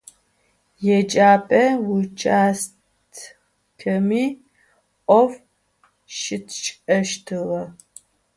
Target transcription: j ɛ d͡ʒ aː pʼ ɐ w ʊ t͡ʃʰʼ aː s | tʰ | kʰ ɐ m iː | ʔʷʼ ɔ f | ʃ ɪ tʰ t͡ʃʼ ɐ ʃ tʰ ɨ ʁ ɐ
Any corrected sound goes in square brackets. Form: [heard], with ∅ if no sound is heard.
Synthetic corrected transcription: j ɛ d͡ʒ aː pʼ ɐ w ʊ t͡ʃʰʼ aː s | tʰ | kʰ ɐ m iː | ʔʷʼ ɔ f | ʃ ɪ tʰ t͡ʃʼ ɐ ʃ tʰ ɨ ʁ ɐ